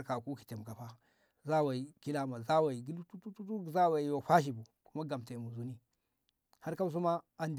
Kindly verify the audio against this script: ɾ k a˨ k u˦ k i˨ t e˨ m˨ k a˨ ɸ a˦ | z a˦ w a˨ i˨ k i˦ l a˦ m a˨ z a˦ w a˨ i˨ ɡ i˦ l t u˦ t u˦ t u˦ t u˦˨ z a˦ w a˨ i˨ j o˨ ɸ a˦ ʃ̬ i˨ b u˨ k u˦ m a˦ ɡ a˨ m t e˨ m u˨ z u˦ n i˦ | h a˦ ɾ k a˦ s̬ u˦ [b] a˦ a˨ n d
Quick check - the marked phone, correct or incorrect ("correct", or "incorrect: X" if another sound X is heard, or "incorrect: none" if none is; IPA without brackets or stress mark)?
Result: incorrect: m